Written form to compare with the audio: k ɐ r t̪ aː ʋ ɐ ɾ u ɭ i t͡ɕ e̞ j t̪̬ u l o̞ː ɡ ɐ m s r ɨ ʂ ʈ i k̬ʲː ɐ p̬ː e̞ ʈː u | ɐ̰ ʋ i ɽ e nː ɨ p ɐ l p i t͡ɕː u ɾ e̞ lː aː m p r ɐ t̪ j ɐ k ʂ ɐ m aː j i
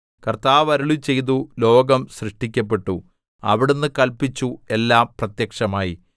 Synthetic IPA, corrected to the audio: k ɐ r t̪ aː ʋ ɐ ɾ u ɭ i t͡ɕ e̞ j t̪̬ u l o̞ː ɡ ɐ m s r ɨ ʂ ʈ i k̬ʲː ɐ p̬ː e̞ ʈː u | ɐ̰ ʋ i ɽ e nː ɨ k ɐ l p i t͡ɕː u e̞ lː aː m p r ɐ t̪ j ɐ k ʂ ɐ m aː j i